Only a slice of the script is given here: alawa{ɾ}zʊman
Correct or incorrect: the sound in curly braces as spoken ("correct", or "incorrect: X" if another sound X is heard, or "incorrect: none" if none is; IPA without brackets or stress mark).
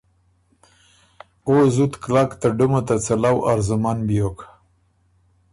correct